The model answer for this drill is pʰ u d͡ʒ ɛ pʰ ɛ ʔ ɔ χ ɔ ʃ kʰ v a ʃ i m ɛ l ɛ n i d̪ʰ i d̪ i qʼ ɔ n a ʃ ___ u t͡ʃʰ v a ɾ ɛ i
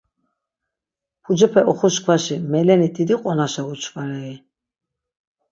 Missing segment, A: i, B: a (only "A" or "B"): B